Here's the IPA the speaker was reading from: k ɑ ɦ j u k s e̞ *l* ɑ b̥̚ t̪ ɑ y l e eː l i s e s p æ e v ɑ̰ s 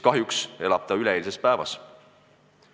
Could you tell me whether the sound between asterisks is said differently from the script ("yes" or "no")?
no